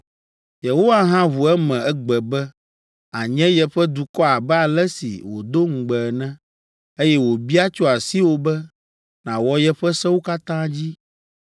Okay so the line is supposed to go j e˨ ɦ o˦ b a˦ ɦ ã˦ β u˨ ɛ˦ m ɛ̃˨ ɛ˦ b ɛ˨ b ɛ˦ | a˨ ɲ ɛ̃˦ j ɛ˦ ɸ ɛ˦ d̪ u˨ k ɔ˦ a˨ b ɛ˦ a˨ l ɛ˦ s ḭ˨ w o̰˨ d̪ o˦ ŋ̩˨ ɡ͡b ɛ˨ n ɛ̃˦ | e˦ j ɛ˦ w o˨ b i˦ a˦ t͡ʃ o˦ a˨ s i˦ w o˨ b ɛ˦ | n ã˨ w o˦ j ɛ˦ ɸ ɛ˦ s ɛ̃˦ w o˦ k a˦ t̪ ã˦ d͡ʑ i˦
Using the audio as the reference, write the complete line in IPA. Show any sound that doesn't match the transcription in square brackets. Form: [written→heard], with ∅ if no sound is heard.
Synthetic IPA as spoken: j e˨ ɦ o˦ [b→w] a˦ ɦ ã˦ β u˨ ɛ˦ m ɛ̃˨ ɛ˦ [b→ɡ͡b] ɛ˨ b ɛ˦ | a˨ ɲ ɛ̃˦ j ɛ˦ ɸ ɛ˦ d̪ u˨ k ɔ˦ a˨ b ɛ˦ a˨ l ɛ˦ s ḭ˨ w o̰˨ d̪ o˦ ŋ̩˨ ɡ͡b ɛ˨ n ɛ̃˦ | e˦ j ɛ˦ w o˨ b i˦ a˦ t͡ʃ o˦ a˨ s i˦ w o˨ b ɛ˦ | n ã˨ w [o˦→ɔ˦] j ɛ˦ ɸ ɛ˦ s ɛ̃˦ w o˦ k a˦ t̪ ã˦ d͡ʑ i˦